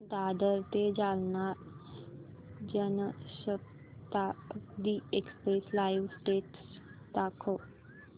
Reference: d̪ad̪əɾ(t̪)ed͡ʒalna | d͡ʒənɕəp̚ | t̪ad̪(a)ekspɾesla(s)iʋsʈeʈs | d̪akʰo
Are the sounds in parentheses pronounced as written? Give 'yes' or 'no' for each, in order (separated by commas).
yes, no, no